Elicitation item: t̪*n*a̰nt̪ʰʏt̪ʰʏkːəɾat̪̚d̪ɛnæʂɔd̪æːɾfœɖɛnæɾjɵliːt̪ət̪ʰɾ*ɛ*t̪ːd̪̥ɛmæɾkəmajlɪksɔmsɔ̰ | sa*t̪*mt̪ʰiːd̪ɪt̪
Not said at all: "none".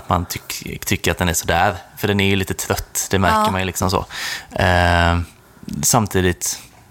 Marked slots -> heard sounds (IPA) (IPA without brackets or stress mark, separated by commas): m, œ, none